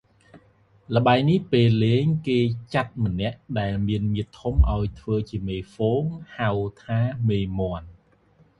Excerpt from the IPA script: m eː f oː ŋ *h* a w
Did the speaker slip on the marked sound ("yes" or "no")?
no